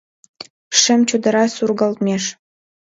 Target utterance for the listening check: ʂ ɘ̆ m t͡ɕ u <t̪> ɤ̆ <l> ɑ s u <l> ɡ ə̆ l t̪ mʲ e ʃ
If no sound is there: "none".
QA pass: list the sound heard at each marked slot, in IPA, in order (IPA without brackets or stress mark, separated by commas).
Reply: d̪, ɾ, r